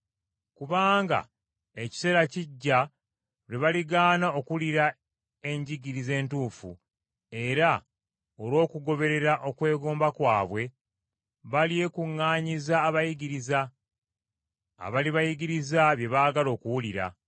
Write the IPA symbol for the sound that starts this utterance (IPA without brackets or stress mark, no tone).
k